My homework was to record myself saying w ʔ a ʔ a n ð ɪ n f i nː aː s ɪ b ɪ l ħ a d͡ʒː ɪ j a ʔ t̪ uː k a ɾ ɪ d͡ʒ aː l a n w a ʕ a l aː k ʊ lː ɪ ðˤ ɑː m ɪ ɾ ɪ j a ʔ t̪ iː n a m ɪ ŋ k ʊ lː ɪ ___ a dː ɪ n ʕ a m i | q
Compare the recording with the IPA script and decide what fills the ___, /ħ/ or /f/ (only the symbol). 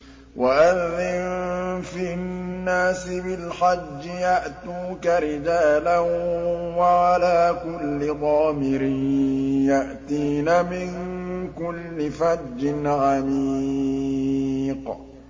f